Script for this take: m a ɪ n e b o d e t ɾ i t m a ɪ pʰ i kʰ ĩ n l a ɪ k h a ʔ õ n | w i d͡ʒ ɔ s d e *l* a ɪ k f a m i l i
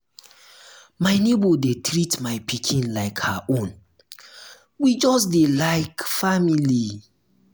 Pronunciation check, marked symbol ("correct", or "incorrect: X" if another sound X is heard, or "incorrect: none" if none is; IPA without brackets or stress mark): correct